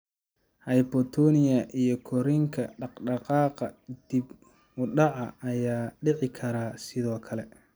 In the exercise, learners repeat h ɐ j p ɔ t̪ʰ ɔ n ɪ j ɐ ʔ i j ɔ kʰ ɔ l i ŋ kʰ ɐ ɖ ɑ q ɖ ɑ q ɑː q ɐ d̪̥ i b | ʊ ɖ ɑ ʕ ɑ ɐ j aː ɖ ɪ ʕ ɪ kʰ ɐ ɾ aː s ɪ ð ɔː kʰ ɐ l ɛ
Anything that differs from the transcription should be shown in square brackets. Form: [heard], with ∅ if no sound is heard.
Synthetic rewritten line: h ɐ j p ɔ t̪ʰ ɔ n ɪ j ɐ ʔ i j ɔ kʰ ɔ [ɾ] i ŋ kʰ ɐ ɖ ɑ q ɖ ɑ q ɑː q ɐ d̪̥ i b | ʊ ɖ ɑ ʕ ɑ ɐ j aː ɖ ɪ ʕ ɪ kʰ ɐ ɾ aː s ɪ ð ɔː kʰ ɐ l ɛ